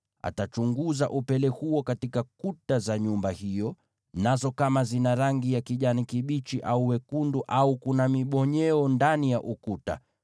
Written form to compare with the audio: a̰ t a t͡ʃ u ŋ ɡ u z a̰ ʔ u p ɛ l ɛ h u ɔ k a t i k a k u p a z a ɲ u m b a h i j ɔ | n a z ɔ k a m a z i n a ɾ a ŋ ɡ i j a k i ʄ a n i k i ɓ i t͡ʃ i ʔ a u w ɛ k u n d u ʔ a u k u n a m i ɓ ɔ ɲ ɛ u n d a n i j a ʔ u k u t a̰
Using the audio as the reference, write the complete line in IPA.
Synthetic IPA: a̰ t a t͡ʃ u ŋ ɡ u z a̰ ʔ u p ɛ l ɛ h u ɔ k a t i k a k u t a z a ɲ u m b a h i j ɔ | n a z ɔ k a m a z i n a ɾ a ŋ ɡ i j a k i ʄ a n i k i ɓ i t͡ʃ i ʔ a u w ɛ k u n d u ʔ a u k u n a m i ɓ ɔ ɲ ɛ ɔ n d a n i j a ʔ u k u t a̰